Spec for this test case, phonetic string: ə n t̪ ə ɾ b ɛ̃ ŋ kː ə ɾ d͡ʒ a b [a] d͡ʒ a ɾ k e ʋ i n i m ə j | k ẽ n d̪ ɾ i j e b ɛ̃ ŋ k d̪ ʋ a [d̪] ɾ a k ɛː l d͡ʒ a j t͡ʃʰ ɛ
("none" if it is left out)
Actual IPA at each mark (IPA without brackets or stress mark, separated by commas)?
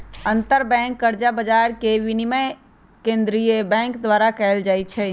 ə, none